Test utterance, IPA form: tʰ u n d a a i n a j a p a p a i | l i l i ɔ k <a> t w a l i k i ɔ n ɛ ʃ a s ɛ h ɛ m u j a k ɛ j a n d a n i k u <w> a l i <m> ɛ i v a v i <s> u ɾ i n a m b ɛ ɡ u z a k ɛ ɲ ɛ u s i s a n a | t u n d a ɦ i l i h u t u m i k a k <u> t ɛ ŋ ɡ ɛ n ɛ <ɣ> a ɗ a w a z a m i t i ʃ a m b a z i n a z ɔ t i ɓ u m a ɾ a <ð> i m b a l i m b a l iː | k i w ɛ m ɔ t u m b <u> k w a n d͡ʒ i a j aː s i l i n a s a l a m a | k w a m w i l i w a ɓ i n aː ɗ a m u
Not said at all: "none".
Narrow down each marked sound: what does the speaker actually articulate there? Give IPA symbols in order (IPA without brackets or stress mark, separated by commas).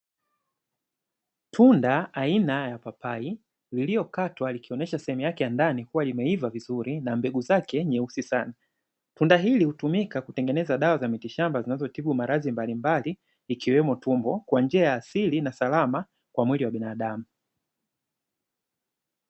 a, w, m, z, u, z, z, ɔ